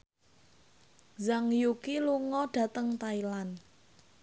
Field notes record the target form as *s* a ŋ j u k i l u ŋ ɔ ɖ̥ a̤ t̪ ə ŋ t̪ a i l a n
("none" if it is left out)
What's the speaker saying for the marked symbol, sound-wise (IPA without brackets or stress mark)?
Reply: z